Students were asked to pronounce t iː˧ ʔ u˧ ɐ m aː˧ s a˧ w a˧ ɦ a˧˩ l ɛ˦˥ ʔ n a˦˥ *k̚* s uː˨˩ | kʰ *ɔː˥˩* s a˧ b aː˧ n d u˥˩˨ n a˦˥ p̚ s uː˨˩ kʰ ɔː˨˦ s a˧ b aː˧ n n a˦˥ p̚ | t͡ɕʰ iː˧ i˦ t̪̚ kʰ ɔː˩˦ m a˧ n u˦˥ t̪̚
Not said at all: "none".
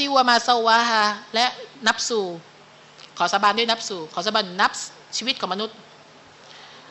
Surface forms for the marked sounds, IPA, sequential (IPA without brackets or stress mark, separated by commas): p̚, ɔː˩˦